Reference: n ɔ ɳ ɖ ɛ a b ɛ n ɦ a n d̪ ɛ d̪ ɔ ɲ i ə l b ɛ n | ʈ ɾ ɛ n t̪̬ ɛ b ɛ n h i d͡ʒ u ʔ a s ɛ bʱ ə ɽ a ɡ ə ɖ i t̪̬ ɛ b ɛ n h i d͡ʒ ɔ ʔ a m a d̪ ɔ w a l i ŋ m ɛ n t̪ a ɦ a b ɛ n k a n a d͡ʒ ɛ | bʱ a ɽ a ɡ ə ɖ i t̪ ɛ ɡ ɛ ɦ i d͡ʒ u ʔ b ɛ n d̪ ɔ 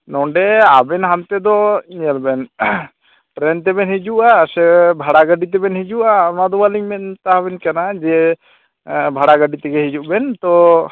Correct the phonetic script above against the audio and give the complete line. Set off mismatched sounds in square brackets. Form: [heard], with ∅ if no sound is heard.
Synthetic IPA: n ɔ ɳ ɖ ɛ a b ɛ n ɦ a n [t̪] ɛ d̪ ɔ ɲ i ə l b ɛ n | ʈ ɾ ɛ n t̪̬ ɛ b ɛ n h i d͡ʒ u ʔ a s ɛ bʱ [a] ɽ a ɡ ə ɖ i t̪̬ ɛ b ɛ n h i d͡ʒ [u] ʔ a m a d̪ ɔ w a l i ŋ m ɛ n t̪ a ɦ a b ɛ n k a n a d͡ʒ ɛ | bʱ a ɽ a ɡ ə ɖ i t̪ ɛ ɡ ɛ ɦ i d͡ʒ u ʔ b ɛ n [t̪] ɔ